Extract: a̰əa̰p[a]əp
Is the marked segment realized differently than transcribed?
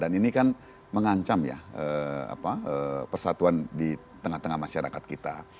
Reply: no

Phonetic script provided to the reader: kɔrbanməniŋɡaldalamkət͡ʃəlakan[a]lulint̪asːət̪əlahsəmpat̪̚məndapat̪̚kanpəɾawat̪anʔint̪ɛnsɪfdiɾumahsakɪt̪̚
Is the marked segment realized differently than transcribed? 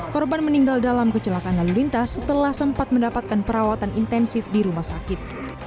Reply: no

